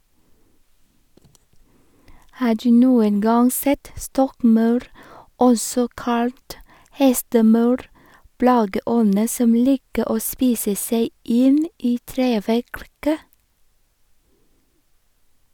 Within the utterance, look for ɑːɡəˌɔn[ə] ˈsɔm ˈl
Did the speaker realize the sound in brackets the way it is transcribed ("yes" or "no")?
yes